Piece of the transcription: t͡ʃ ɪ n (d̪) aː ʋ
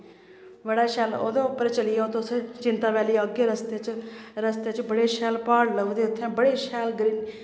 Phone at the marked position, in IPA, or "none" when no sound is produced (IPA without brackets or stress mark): t̪